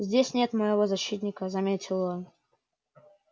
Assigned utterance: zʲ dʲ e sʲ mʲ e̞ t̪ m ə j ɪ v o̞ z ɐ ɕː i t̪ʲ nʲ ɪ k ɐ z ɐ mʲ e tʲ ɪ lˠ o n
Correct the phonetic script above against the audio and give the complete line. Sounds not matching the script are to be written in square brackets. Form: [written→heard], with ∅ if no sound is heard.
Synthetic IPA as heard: zʲ dʲ e sʲ [mʲ→nʲ] e̞ t̪ m ə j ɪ v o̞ z ɐ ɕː i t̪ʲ nʲ ɪ k [ɐ→ə] z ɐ mʲ e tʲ ɪ lˠ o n